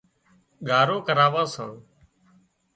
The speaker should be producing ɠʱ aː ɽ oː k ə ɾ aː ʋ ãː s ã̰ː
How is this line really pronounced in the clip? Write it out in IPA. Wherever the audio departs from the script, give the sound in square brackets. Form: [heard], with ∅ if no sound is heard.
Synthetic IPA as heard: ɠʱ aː [ɾ] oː k ə ɾ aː ʋ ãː s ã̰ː